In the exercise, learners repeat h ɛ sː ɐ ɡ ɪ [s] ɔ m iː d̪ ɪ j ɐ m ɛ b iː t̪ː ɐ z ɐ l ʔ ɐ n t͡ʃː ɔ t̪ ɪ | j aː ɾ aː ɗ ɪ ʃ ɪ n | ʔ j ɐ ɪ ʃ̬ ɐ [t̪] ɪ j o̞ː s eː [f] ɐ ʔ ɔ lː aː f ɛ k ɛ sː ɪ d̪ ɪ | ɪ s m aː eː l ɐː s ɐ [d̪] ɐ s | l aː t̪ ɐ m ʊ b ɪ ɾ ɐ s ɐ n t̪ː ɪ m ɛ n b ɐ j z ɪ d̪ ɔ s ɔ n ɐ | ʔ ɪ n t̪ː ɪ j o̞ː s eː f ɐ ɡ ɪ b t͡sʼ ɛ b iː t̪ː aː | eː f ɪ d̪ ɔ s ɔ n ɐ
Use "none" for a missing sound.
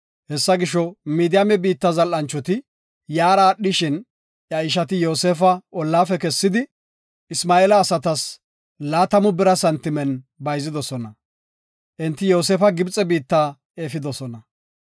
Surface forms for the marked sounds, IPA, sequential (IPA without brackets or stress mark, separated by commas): ʃ, t̪, f, t̪